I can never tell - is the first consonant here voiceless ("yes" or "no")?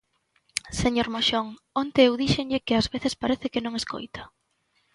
yes